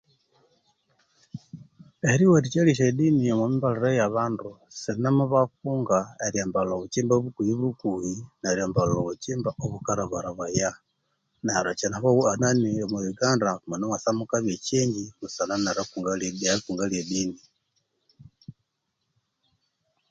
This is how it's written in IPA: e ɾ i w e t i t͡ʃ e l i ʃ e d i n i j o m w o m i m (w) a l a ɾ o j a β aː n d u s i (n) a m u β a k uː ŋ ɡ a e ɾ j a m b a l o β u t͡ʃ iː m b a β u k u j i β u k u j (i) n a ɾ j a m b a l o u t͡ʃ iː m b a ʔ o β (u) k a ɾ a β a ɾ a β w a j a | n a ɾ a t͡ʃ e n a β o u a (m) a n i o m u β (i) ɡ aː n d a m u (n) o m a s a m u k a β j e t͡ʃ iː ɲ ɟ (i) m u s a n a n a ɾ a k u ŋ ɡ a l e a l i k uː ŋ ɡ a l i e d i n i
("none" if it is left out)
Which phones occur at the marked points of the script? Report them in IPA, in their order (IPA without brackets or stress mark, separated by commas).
b, n, i, u, n, i, n, i